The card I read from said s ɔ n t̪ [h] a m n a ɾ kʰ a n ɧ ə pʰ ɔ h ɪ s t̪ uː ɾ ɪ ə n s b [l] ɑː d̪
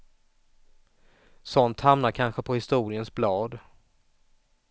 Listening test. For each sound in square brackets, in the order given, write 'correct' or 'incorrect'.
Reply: correct, correct

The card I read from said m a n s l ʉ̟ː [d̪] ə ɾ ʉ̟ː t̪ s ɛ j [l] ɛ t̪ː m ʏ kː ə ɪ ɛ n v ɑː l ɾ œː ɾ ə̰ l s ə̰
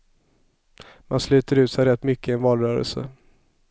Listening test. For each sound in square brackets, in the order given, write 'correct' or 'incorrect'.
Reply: incorrect: t̪, incorrect: ɾ

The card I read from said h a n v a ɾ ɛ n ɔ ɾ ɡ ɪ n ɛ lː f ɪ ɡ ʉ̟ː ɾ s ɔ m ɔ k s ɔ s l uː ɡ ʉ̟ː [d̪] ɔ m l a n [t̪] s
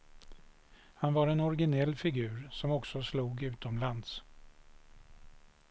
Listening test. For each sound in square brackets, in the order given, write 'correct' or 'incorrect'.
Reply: incorrect: t̪, incorrect: d̪

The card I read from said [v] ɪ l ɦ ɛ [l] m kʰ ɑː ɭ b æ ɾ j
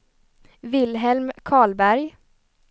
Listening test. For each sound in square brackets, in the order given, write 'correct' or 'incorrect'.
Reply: correct, correct

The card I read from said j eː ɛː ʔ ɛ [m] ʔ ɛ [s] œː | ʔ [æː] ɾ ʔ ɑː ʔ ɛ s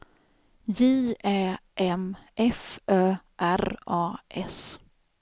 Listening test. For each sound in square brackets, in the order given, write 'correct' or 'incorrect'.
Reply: correct, incorrect: f, incorrect: æ

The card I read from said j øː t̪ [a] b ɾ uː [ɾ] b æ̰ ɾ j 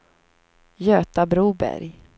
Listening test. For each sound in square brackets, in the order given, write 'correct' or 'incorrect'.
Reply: correct, incorrect: none

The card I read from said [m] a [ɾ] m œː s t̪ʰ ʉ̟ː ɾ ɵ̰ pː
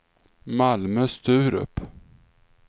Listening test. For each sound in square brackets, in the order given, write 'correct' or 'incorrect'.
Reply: correct, incorrect: l

